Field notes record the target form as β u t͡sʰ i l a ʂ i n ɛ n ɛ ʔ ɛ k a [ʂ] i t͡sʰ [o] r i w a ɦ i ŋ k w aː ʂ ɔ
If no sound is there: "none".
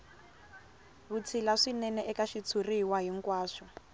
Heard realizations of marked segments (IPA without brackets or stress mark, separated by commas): ʃ, u